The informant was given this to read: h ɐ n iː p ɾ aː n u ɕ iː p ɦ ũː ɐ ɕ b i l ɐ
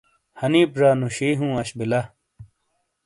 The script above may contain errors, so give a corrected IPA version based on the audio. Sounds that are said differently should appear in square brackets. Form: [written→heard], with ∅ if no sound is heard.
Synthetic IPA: h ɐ n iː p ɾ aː n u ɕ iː [p→∅] ɦ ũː ɐ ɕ b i l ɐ